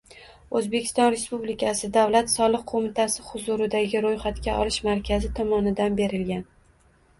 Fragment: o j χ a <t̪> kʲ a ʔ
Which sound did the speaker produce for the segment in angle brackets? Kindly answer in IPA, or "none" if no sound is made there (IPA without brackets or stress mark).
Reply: t̪